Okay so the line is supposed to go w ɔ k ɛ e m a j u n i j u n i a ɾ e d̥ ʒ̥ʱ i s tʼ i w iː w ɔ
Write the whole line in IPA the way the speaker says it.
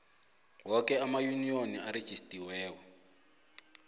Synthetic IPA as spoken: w ɔ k ɛ a m a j u n i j o n i a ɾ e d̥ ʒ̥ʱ i s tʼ i w ɛː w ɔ

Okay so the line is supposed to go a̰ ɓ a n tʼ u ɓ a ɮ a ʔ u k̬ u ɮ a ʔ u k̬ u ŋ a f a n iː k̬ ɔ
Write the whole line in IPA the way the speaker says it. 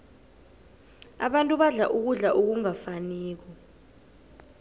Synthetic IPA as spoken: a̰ ɓ a n tʼ u ɓ a ɮ a ʔ u k̬ u ɮ a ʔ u k̬ u ŋ a f a n iː k̬ ɔ

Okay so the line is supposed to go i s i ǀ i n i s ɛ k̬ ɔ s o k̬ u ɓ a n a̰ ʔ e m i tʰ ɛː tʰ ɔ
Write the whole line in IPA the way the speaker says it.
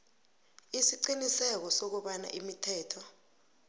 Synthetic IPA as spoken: i s i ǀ i n i s ɛ k̬ ɔ s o k̬ u ɓ a n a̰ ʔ i m i tʰ ɛː tʰ ɔ

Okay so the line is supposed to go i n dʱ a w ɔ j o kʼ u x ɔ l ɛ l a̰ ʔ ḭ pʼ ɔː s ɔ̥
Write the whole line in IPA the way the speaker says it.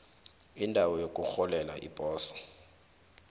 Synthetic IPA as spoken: i n dʱ a w ɔ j o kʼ u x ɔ l ɛ l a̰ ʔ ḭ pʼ ɔː s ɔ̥

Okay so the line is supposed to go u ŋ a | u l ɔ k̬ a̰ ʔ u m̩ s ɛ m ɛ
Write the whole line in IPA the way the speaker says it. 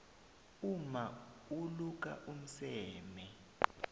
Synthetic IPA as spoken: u m a | u l u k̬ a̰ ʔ u m̩ s ɛː m ɛ

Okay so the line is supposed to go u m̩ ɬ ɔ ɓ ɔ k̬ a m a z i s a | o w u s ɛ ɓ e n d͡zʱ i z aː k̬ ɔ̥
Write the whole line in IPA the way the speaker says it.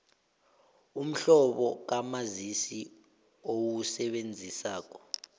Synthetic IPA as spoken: u m̩ ɬ ɔ ɓ ɔ k̬ a m a z i s i | o w u s ɛ ɓ e n d͡zʱ i s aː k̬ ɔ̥

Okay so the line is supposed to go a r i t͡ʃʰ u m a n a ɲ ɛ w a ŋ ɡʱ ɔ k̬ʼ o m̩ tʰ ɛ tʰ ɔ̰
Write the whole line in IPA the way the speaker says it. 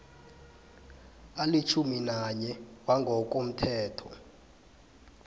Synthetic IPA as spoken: a l i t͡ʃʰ u m i n a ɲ ɛ w a ŋ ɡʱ ɔ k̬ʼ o m̩ tʰ ɛː tʰ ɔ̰

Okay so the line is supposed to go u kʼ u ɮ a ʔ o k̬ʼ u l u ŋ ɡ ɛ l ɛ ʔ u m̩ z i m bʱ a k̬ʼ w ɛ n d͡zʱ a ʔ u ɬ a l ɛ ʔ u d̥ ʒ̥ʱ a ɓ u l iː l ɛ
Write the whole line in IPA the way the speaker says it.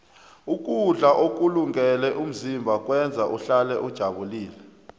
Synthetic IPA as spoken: u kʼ u ɮ a ʔ o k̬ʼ u l u ŋ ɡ ɛ l ɛ ʔ u m̩ z i m bʱ a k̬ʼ w ɛ n d͡zʱ a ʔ u ɬ a l ɛ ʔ u d̥ ʒ̥ʱ a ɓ u l iː l ɛ

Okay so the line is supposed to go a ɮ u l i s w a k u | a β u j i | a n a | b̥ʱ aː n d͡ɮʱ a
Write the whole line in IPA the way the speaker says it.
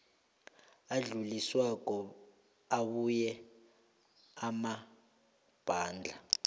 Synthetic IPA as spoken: a ɮ u l i s w a k ɔ | a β u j ɛ | a m a | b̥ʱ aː n d͡ɮʱ a

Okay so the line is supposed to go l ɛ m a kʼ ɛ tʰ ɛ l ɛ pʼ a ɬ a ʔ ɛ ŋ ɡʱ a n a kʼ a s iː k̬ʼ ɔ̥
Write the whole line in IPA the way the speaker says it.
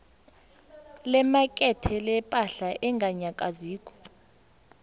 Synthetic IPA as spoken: l ɛ m a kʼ ɛ tʰ ɛ l ɛ pʼ a ɬ a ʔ ɛ ŋ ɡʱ a ɲ a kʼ a z iː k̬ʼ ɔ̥

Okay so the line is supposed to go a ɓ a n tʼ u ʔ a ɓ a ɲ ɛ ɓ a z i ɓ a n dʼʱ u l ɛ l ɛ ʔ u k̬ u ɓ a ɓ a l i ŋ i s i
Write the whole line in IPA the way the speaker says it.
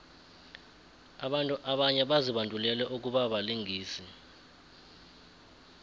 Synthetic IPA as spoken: a ɓ a n tʼ u ʔ a ɓ a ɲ ɛ ɓ a z i ɓ a n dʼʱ u l ɛ l ɛ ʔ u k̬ u ɓ a ɓ a l i ŋ iː s i

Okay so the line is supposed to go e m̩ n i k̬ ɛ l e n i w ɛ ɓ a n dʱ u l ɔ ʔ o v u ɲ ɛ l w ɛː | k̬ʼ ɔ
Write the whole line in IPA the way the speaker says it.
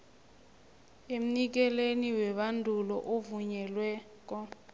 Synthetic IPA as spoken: e m̩ n i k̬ ɛ l e n i w ɛ ɓ a n dʱ u l ɔ ʔ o v u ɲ ɛ l w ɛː | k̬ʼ ɔ

